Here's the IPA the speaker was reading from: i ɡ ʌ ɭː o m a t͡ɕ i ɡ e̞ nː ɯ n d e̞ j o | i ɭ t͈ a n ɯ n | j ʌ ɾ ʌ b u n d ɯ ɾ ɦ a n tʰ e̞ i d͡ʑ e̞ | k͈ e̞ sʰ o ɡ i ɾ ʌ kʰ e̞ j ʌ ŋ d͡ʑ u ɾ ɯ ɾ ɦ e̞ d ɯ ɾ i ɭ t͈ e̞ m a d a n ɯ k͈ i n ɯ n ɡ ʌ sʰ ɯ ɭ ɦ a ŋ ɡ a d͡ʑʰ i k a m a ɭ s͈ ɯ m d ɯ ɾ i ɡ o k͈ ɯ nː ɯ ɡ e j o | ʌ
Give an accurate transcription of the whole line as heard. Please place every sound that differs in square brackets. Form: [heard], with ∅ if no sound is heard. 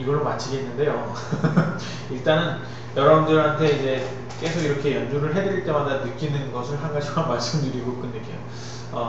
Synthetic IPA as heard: i ɡ ʌ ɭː o m a [t͡ɕʰ] i ɡ e̞ nː ɯ n d e̞ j o | i ɭ t͈ a n ɯ n | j ʌ ɾ ʌ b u n d ɯ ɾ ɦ a n tʰ e̞ i d͡ʑ e̞ | k͈ e̞ sʰ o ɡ i ɾ ʌ kʰ e̞ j ʌ [n] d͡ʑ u ɾ ɯ [ɭ] ɦ e̞ d ɯ ɾ i ɭ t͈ e̞ m a d a n ɯ k͈ i n ɯ n ɡ ʌ sʰ ɯ ɭ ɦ a ŋ ɡ a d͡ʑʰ i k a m a ɭ s͈ ɯ m d ɯ ɾ i ɡ o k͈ ɯ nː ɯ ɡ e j o | ʌ